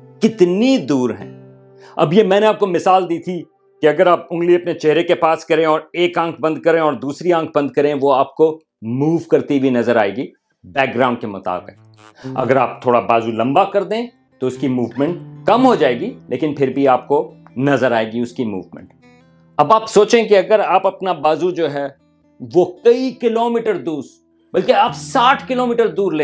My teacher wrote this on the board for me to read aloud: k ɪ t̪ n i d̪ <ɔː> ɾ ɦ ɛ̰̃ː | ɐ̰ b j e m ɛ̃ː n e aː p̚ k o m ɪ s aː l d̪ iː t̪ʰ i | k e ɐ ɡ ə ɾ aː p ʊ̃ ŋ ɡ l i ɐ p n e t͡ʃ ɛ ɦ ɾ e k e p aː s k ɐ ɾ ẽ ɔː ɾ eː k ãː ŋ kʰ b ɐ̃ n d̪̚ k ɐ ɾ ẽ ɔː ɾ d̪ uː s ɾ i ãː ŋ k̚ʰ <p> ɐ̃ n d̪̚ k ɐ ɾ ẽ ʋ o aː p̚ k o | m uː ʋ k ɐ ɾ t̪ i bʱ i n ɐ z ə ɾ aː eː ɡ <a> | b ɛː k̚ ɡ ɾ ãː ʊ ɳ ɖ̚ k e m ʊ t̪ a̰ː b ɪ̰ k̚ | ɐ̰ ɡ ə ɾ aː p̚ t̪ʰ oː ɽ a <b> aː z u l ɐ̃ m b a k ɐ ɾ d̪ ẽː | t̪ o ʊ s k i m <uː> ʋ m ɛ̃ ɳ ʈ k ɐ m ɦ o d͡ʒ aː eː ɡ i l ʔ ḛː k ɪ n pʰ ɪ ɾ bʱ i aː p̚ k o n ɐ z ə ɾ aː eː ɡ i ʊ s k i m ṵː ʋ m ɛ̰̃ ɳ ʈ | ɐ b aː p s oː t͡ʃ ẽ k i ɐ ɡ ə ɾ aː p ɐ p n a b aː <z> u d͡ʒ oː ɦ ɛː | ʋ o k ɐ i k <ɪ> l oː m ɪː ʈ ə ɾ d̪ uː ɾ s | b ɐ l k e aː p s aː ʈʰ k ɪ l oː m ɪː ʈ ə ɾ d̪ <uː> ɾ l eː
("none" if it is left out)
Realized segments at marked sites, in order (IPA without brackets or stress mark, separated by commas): uː, b, i, b, uː, z, ɪ, uː